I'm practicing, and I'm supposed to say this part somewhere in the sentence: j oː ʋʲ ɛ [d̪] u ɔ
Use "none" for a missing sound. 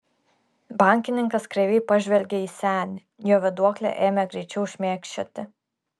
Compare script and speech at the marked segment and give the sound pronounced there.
d̪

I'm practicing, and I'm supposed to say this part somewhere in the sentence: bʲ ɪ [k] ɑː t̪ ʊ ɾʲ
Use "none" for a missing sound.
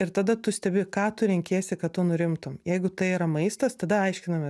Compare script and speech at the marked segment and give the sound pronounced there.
k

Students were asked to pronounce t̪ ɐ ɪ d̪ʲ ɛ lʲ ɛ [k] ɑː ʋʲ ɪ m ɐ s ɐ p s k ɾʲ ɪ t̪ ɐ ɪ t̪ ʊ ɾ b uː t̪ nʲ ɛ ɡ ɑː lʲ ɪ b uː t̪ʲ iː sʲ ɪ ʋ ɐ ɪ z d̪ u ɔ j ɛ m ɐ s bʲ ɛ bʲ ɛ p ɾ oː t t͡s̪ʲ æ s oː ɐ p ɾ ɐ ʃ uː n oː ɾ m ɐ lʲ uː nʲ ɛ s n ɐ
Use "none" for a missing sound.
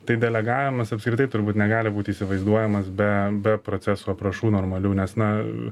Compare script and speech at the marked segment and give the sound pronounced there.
ɡ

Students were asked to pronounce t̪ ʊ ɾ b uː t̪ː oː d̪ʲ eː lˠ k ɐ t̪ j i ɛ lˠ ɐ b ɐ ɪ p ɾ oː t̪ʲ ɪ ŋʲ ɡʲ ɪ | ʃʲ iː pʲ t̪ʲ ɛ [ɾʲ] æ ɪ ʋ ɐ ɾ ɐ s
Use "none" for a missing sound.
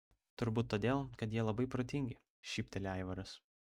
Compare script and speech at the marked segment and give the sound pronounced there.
lʲ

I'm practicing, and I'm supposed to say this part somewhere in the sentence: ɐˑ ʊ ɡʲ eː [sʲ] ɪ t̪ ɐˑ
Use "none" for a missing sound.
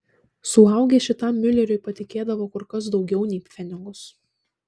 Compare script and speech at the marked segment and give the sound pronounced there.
ʃʲ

